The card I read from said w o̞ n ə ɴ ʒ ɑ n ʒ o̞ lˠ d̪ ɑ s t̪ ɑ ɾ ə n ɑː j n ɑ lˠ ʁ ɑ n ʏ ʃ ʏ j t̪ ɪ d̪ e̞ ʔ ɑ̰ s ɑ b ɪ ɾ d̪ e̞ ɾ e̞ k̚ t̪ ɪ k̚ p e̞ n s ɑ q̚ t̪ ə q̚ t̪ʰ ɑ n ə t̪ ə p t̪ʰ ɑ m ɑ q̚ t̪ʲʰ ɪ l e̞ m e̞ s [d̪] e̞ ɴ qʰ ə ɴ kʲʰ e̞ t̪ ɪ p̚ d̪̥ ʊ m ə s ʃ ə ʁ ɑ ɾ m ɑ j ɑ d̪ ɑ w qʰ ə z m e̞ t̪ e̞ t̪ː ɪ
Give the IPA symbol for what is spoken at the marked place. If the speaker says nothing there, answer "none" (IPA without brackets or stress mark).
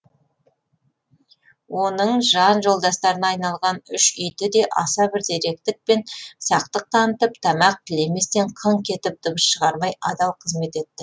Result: t̪